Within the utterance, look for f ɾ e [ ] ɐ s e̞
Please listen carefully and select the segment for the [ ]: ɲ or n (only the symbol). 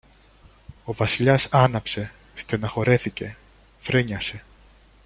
ɲ